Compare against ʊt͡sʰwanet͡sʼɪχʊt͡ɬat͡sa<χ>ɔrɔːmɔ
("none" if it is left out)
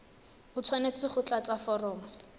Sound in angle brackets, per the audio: f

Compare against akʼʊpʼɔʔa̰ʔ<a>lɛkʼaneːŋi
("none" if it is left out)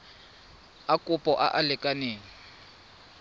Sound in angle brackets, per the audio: a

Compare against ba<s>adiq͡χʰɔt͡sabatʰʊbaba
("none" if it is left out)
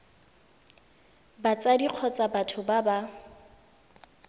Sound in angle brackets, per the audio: t͡s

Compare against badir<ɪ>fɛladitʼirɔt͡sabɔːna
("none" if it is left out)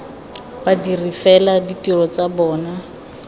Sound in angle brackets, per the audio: i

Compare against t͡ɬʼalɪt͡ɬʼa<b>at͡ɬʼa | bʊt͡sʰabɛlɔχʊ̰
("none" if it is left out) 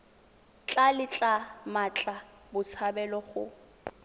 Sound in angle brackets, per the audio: m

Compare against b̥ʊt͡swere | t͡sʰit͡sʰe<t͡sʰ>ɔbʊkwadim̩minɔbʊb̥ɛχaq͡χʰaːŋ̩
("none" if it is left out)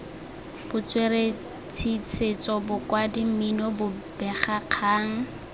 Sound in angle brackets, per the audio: t͡s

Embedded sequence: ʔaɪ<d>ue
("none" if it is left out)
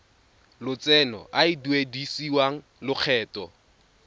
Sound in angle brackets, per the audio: d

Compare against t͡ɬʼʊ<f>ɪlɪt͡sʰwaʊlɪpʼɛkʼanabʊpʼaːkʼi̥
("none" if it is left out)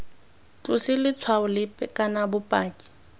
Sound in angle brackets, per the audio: s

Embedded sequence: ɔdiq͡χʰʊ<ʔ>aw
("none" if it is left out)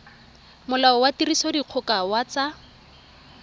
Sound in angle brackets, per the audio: k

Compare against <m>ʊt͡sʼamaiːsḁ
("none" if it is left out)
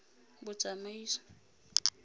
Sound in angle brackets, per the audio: b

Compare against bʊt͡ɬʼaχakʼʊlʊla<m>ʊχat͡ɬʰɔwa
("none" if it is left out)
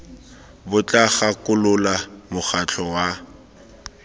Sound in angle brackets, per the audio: m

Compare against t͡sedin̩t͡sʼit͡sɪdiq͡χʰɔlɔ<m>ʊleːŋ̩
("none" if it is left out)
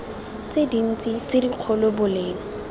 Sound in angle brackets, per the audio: b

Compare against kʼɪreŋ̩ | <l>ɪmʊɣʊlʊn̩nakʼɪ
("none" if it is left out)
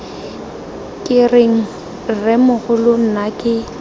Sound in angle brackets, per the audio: r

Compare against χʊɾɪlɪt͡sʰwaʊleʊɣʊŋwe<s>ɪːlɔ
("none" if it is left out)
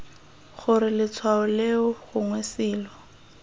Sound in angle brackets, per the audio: s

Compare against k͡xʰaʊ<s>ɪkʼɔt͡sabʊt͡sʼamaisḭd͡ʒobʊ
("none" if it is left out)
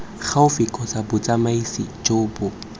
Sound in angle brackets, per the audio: f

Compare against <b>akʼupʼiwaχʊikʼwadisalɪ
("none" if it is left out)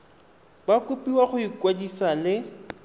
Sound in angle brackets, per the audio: b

